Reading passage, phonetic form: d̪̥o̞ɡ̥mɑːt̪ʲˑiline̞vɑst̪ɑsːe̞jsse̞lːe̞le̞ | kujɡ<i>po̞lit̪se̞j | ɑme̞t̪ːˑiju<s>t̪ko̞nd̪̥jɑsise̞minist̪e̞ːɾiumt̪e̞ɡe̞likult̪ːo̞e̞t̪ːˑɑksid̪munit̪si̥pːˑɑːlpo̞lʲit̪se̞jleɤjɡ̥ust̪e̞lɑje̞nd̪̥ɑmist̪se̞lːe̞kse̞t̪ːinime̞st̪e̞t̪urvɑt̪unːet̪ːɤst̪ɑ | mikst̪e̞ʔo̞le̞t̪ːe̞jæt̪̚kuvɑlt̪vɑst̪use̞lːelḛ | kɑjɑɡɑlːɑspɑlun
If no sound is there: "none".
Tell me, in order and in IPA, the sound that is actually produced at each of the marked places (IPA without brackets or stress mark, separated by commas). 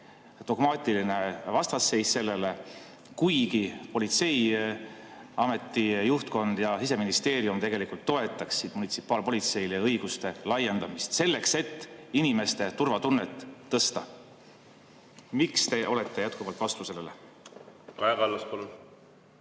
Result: i, h